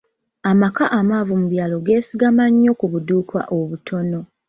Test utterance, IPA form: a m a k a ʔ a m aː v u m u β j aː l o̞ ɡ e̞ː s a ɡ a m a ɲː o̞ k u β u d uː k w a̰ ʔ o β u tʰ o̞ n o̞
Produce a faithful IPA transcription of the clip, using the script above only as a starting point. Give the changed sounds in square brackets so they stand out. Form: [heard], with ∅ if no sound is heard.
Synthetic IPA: a m a k a ʔ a m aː v u m u β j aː l o̞ ɡ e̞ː s [i] ɡ a m a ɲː o̞ k u β u d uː k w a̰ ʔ o β u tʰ o̞ n o̞